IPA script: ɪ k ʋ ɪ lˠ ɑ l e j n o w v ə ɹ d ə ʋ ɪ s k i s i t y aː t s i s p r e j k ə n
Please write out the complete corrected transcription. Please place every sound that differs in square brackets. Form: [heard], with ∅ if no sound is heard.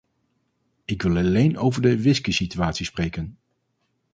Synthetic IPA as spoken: ɪ k ʋ ɪ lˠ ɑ l e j n o w v ə ɹ d ə ʋ ɪ s k i s i t y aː t s i s p r e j k ə n